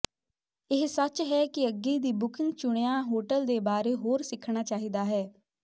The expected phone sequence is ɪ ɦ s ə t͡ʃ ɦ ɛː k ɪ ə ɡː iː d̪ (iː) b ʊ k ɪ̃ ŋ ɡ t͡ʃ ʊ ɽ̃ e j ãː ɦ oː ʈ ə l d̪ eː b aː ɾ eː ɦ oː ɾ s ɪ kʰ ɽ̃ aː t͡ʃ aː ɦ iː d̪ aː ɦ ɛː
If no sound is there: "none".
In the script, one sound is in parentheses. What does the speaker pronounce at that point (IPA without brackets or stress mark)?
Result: iː